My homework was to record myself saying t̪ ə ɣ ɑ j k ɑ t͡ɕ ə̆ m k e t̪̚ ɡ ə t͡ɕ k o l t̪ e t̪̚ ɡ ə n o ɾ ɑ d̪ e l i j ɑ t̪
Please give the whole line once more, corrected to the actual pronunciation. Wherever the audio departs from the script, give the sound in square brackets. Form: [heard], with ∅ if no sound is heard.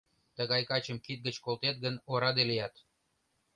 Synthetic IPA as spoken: t̪ ə ɣ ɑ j k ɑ t͡ɕ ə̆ m k [i] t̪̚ ɡ ə t͡ɕ k o l t̪ e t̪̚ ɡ ə n o ɾ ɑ d̪ e l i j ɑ t̪